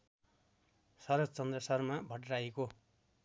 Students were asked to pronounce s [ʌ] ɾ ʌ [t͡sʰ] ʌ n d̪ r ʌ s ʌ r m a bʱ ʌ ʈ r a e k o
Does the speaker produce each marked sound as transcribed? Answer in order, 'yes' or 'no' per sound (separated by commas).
yes, no